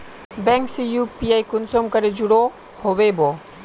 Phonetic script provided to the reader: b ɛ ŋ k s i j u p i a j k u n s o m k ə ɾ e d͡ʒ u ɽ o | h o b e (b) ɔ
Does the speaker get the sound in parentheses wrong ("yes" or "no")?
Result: no